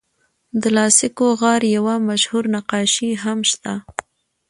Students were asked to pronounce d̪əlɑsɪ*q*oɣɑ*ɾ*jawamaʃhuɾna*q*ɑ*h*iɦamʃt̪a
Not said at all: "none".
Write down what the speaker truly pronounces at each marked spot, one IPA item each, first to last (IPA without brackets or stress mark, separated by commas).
k, ɾ, q, ʃ